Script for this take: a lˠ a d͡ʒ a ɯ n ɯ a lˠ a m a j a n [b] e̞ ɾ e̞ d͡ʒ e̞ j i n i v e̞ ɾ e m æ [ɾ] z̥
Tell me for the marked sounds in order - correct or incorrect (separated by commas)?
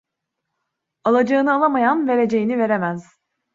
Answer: incorrect, incorrect